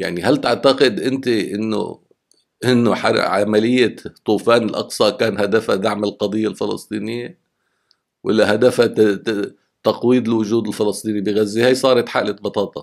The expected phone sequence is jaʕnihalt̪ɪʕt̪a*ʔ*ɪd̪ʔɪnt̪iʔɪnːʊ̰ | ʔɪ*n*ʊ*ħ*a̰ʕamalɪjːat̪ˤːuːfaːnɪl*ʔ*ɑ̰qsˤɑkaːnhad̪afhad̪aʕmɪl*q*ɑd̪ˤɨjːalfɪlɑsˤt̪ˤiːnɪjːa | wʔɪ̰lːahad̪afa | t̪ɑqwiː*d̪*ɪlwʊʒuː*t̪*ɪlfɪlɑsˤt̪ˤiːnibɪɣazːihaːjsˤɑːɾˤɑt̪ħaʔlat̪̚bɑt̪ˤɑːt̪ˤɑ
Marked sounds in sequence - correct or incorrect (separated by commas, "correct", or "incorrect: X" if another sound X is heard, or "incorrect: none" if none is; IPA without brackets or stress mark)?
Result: incorrect: q, incorrect: nː, correct, correct, correct, correct, incorrect: d̪